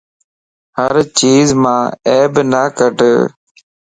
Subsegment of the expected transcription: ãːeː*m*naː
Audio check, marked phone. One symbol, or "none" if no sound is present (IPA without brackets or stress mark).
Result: b